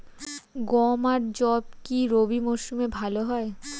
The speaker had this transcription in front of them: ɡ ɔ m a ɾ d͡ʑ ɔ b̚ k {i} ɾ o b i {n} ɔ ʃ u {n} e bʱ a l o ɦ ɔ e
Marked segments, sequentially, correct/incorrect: correct, incorrect: m, incorrect: m

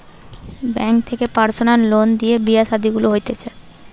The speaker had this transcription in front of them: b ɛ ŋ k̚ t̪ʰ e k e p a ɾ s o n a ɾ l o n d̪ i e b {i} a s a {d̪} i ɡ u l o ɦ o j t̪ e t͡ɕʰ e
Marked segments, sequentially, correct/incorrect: correct, correct

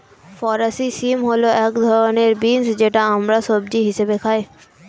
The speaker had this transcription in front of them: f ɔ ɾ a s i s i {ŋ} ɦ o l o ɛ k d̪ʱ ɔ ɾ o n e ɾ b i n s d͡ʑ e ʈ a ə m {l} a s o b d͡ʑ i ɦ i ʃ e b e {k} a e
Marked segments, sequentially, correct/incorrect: incorrect: m, incorrect: ɾ, incorrect: kʰ

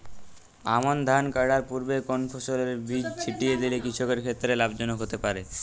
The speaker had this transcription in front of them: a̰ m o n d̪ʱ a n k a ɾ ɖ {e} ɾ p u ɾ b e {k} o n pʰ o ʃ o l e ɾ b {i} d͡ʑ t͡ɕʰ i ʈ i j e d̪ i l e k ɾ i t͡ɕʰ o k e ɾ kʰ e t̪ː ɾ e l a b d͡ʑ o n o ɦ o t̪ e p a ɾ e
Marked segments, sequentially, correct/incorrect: incorrect: a, correct, correct

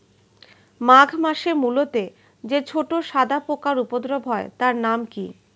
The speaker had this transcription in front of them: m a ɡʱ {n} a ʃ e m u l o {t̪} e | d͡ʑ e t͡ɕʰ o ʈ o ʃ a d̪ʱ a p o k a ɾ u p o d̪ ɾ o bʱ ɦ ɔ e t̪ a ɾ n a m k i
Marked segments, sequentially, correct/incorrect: incorrect: m, correct

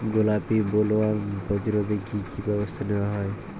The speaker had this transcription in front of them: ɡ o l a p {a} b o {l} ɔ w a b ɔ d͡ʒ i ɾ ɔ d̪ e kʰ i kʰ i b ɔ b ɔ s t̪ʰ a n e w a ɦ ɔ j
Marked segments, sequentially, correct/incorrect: incorrect: i, correct

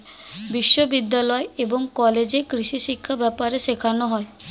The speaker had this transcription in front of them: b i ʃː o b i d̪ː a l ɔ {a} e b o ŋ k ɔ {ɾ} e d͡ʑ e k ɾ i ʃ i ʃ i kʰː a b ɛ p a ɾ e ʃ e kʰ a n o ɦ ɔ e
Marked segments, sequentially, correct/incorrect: incorrect: e, incorrect: l

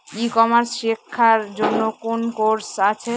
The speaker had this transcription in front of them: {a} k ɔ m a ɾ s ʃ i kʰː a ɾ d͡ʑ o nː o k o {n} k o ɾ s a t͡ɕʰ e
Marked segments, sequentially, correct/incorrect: incorrect: i, correct

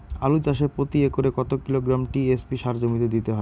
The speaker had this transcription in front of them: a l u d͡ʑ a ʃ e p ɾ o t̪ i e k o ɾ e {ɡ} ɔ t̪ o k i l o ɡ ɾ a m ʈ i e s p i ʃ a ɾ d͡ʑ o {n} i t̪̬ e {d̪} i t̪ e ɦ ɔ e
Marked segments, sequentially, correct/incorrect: incorrect: k, incorrect: m, correct

